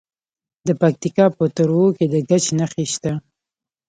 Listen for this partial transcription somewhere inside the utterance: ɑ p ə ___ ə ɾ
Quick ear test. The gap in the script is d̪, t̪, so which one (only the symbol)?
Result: t̪